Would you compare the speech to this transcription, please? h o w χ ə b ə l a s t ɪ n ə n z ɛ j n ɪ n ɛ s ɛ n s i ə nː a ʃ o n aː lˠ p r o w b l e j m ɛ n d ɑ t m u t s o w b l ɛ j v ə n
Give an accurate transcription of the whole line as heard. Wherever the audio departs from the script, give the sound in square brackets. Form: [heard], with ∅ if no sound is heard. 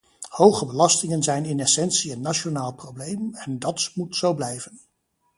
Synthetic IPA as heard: h o w χ ə b ə l [ɑ] s t ɪ [ŋ] ə n z ɛ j n ɪ n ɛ s ɛ n s i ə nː a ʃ o n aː lˠ p r o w b l e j m ɛ n d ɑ t m u t s o w b l ɛ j v ə n